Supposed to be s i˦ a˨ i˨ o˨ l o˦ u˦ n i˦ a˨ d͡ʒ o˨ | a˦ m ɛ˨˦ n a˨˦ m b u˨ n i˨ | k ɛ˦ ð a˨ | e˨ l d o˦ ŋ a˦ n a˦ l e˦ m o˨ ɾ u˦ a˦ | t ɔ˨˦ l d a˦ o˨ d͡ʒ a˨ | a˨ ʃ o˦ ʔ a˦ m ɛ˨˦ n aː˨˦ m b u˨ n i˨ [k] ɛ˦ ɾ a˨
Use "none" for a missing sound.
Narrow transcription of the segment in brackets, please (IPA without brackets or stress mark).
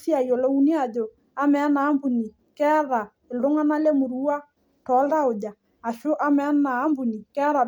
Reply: k